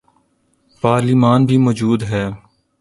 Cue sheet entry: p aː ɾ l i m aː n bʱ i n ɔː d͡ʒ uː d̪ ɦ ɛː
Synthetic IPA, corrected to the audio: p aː ɾ l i m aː n bʱ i m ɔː d͡ʒ uː d̪ ɦ ɛː